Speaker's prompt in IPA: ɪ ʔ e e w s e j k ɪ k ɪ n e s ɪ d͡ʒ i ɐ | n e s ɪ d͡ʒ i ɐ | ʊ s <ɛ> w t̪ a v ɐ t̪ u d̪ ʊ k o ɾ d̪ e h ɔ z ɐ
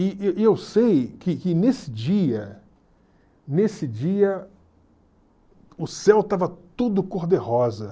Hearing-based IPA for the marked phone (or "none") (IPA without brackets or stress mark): ɛ